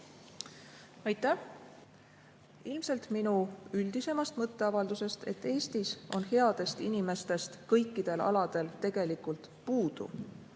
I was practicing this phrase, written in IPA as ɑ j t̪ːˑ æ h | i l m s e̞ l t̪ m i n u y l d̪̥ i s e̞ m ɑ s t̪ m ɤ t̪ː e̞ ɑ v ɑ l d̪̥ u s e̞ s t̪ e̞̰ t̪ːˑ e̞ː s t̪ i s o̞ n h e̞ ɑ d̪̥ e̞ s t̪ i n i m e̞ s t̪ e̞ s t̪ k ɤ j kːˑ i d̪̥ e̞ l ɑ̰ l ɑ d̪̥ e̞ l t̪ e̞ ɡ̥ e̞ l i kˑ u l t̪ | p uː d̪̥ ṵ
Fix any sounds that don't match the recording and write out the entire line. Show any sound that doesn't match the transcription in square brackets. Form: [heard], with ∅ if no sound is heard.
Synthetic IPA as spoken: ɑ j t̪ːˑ æ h | i l m s e̞ l t̪ m i n u y l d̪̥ i s e̞ m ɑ s t̪ m ɤ t̪ː e̞ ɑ v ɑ l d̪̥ u s e̞ s t̪ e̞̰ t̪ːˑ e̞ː s t̪ i s o̞ n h e̞ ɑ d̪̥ e̞ s t̪ i n i m e̞ s t̪ e̞ s t̪ k ɤ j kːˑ i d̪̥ e̞ l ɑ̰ l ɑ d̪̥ e̞ l t̪ e̞ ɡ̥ e̞ l i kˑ u l t̪ | p uː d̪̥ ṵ